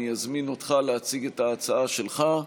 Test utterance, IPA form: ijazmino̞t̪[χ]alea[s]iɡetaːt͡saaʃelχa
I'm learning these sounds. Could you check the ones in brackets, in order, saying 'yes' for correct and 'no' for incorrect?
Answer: yes, no

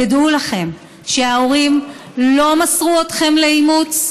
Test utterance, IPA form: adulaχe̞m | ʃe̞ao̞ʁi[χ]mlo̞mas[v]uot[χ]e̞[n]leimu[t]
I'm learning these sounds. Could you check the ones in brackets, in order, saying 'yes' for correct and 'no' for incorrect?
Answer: no, no, yes, no, no

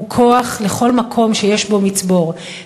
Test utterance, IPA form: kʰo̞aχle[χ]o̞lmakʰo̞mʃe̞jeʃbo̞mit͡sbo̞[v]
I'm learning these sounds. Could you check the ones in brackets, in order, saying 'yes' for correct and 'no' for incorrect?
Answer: yes, no

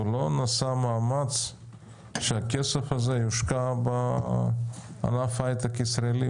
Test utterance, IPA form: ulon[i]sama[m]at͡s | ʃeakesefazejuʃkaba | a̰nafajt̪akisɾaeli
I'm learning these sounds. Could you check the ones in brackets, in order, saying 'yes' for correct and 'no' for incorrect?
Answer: no, yes

